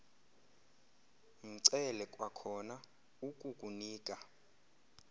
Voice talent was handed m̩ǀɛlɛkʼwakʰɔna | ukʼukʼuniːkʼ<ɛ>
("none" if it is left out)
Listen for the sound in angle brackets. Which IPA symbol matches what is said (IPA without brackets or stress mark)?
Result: a